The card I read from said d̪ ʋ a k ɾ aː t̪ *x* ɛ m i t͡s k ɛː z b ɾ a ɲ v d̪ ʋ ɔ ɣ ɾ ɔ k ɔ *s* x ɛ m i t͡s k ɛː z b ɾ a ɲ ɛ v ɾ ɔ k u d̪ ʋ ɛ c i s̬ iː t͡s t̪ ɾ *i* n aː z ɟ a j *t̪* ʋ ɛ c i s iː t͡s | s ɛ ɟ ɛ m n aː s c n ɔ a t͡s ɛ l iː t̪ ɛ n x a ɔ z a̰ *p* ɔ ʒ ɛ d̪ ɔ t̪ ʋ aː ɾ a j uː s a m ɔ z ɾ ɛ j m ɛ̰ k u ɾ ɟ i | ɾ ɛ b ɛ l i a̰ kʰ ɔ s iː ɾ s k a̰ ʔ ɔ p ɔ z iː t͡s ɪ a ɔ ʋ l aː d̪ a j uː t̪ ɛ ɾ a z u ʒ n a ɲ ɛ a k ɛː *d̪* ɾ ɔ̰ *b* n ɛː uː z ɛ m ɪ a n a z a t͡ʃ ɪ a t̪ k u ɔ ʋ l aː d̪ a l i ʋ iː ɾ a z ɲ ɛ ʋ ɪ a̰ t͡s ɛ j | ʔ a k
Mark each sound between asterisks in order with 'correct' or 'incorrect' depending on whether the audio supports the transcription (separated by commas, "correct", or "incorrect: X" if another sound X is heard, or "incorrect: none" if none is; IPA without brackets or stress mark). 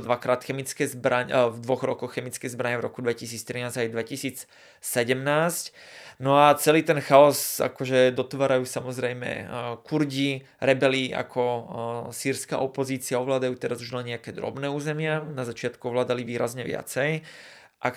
correct, incorrect: x, correct, incorrect: d̪, incorrect: k, correct, correct